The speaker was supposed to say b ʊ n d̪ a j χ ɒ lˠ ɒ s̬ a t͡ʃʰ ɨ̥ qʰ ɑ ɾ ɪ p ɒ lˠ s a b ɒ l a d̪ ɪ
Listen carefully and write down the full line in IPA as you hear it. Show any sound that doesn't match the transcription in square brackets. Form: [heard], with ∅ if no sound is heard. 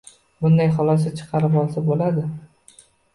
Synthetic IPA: b ʊ n d̪ a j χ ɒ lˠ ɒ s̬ a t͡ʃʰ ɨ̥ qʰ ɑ ɾ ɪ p ɒ lˠ s a b [o] l a d̪ ɪ

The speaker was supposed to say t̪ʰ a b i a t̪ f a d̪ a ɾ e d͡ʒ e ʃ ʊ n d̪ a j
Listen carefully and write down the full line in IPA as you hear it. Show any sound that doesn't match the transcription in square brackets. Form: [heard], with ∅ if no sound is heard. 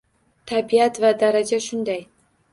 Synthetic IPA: t̪ʰ a b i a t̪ [v] a d̪ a ɾ [a] d͡ʒ [a] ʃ ʊ n d̪ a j

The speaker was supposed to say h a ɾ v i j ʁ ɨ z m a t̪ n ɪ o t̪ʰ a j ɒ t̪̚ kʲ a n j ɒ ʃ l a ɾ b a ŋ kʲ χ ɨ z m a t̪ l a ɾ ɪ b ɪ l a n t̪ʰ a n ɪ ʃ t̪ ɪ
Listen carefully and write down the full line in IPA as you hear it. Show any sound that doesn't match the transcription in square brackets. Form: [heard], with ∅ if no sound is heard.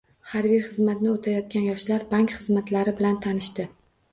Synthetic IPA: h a ɾ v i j [χ] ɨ z m a t̪ n ɪ o t̪ʰ a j ɒ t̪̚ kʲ a n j ɒ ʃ l a ɾ b a ŋ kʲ χ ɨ z m a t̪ l a ɾ ɪ b ɪ l a n t̪ʰ a n ɪ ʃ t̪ ɪ

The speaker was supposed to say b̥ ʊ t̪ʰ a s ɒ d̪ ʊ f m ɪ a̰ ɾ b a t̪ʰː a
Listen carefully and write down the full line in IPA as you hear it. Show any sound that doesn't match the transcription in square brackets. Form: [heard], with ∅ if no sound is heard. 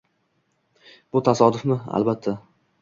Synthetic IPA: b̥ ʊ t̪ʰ a s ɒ d̪ ʊ f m ɪ a̰ [l] b a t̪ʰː a

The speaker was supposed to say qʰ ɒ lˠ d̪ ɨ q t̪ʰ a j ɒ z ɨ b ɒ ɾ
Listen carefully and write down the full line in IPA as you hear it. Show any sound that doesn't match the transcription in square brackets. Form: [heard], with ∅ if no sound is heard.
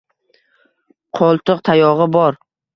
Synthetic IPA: qʰ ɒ lˠ [t̪] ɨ q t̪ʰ a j ɒ [ʁ] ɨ b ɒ ɾ

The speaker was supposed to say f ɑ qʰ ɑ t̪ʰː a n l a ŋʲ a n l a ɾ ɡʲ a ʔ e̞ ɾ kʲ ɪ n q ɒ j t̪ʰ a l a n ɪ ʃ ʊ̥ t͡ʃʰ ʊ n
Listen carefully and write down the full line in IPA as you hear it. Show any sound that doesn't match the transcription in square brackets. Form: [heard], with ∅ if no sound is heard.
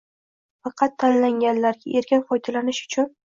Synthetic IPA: f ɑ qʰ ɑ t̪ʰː a n l a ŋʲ a n l a ɾ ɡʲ a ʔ e̞ ɾ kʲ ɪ n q ɒ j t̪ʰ a l a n ɪ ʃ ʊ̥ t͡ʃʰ ʊ n

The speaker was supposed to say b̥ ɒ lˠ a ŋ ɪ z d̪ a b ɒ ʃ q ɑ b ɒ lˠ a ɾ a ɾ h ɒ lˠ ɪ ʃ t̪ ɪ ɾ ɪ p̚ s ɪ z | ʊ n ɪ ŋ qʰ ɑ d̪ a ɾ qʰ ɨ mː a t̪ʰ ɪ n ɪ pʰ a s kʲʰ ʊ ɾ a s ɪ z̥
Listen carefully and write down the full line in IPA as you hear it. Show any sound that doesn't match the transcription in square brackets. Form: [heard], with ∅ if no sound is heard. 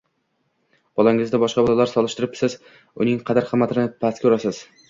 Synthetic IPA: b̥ ɒ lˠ a ŋ ɪ z d̪ a b ɒ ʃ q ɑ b ɒ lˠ a [l] a ɾ [s] ɒ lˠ ɪ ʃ t̪ ɪ ɾ ɪ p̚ s ɪ z | ʊ n ɪ ŋ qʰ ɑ d̪ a ɾ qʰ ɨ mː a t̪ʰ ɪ n ɪ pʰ a s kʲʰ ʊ ɾ a s ɪ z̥

